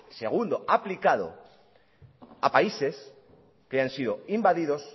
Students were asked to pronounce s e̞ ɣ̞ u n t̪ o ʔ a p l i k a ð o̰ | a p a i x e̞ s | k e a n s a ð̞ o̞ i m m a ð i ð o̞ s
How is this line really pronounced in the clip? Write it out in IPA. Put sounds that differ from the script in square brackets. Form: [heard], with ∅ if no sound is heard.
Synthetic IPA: s e̞ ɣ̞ u n [d̪] o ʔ a p l i k a ð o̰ | a p a i [s] e̞ s | k e a n s [i] ð̞ o̞ i m [b] a ð i ð o̞ s